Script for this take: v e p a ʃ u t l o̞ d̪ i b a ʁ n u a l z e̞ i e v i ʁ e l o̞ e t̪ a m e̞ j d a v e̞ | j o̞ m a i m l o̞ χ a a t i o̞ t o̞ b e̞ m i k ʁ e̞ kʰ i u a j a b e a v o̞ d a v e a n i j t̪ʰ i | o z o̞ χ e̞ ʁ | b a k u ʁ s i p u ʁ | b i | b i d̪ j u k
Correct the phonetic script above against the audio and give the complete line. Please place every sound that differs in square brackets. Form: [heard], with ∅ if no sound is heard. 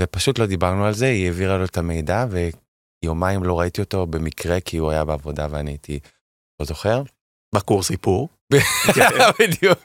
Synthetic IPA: v e p a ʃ u t l o̞ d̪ i b a ʁ n u a l z e̞ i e v i ʁ [a] l o̞ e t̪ a m e̞ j d a v e̞ | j o̞ m a i m l o̞ [ʁ] a [i] t i o̞ t o̞ b e̞ m i k ʁ e̞ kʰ i u a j a b e a v o̞ d a v e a n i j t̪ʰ i | o z o̞ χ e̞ ʁ | b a k u ʁ s i p u ʁ | b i | b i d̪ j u k